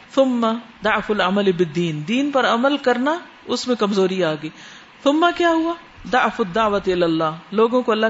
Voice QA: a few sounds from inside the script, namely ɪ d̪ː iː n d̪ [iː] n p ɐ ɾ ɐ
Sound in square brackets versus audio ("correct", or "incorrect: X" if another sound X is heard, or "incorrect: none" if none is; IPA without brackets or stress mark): correct